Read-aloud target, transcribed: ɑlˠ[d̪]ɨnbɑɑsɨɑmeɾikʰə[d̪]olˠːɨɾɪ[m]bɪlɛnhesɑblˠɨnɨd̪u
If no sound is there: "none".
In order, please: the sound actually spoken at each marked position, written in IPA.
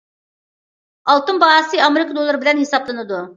t̪, d̪, none

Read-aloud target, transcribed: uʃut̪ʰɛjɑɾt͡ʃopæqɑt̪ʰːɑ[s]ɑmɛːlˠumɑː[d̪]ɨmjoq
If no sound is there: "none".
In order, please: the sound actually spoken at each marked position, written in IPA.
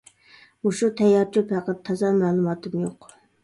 z, t̪

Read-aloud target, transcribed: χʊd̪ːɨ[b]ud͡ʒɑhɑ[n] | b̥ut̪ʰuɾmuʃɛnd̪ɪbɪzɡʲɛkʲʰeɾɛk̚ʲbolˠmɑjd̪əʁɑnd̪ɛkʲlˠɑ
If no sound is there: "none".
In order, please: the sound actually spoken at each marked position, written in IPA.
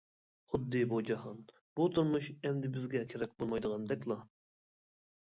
b, n

